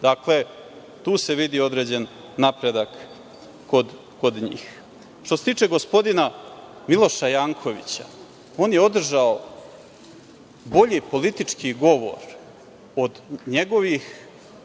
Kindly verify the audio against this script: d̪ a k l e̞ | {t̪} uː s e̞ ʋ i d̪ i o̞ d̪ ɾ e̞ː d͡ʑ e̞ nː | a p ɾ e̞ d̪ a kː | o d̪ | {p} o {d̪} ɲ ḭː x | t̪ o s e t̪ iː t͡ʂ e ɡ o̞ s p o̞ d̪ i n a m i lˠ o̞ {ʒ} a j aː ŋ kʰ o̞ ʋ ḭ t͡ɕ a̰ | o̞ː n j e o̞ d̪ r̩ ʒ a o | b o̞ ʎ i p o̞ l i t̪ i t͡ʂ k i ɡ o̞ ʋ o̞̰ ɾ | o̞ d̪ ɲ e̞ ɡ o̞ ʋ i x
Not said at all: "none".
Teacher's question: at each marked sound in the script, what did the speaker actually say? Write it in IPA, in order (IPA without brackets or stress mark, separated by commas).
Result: t̪, k, d̪, ʃ